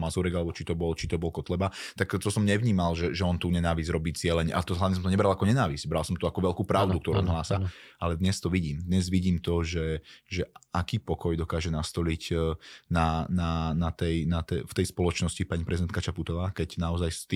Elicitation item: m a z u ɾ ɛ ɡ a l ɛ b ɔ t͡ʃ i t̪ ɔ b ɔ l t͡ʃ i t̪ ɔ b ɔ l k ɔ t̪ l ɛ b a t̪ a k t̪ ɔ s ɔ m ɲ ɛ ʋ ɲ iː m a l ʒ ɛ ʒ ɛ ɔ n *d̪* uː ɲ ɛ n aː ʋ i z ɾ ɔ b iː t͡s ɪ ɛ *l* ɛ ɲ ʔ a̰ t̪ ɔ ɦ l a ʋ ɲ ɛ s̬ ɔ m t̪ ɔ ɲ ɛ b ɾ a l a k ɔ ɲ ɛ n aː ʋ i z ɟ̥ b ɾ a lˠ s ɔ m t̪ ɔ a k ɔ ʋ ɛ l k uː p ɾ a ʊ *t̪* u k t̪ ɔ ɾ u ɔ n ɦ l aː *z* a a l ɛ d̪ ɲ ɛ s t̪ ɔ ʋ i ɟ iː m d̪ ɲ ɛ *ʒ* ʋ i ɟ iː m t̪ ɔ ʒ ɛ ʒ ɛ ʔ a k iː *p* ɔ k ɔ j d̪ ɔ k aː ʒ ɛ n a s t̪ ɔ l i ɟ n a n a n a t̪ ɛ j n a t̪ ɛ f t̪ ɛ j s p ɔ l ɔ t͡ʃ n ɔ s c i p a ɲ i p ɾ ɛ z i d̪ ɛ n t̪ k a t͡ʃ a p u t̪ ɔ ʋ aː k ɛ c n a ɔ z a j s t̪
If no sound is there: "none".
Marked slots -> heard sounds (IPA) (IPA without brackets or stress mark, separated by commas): t̪, l, d̪, s, z, p